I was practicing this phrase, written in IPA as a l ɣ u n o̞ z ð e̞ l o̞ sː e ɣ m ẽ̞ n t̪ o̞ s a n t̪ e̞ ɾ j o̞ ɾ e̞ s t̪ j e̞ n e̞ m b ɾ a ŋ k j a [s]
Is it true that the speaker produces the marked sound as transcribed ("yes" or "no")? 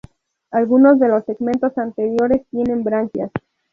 yes